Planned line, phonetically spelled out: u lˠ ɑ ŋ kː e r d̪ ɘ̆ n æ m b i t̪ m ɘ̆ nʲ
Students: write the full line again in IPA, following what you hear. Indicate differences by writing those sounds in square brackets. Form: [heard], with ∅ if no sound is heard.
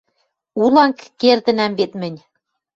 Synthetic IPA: u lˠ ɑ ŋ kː e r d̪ ɘ̆ n æ m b [e] t̪ m ɘ̆ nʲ